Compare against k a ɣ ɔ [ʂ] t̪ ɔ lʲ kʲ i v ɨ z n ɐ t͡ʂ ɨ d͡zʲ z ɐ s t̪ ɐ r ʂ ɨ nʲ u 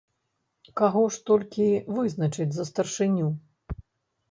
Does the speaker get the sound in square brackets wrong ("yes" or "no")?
no